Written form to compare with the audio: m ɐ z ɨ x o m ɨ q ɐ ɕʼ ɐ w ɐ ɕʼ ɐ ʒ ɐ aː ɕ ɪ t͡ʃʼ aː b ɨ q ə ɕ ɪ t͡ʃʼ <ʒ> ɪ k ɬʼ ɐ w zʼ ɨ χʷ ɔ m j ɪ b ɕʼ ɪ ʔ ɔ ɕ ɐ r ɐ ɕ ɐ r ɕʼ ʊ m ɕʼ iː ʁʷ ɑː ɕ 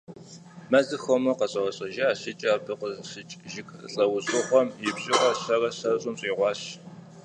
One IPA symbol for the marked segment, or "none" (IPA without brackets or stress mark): ʒ